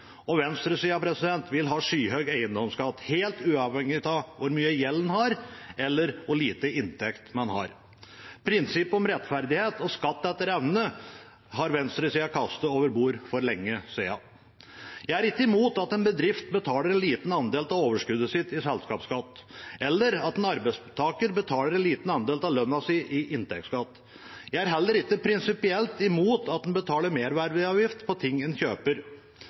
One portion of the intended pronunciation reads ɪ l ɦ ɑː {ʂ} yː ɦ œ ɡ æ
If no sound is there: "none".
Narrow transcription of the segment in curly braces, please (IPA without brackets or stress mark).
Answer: ʂ